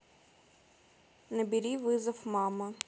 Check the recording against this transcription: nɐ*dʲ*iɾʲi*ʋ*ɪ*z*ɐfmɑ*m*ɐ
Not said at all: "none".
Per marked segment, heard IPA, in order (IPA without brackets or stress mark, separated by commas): bʲ, ʋ, z, m